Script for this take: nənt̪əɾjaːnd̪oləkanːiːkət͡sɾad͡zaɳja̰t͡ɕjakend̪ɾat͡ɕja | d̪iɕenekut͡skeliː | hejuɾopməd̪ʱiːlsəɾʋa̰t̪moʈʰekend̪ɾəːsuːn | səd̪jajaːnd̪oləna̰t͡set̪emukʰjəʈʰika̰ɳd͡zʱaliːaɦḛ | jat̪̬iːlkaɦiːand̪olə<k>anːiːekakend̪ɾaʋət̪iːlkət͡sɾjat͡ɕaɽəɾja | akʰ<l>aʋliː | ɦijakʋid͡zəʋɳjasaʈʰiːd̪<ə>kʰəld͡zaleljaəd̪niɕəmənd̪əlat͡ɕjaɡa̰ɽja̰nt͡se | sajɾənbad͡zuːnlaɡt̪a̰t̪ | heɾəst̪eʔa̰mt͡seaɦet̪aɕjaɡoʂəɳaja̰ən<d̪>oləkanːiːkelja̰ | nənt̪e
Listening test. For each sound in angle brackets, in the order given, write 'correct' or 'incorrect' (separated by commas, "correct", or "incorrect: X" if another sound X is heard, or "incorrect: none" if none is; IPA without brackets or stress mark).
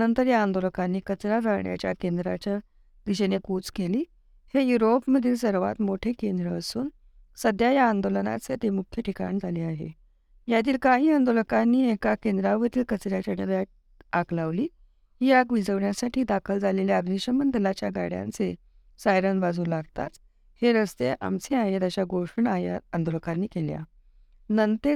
correct, correct, incorrect: a, correct